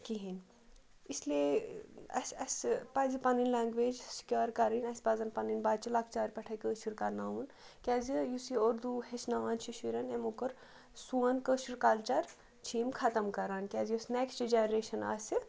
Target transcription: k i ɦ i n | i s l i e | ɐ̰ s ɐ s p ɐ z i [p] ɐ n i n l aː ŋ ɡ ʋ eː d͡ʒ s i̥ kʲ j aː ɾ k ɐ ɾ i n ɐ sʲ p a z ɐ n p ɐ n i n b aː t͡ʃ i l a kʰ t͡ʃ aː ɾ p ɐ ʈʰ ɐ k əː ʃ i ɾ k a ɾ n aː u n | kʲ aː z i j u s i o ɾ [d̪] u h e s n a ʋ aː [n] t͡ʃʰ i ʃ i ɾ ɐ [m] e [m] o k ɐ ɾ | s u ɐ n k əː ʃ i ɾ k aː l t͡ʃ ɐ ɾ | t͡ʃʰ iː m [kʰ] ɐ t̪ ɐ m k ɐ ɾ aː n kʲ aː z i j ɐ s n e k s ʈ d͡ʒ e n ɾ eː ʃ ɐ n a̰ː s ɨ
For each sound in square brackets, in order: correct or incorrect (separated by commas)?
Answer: correct, correct, correct, incorrect, correct, correct